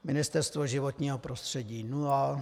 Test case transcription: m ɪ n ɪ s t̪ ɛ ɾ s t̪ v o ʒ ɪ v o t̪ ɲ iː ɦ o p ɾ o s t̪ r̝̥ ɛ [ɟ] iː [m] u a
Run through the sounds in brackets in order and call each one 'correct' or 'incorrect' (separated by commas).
correct, incorrect